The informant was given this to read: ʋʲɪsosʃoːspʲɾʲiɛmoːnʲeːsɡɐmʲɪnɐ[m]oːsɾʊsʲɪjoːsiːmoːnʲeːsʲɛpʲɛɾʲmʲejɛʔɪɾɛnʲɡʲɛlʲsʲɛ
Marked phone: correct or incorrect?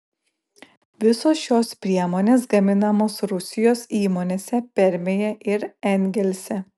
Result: correct